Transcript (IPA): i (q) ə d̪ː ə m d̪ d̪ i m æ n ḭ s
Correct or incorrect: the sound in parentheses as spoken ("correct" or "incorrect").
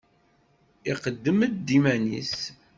correct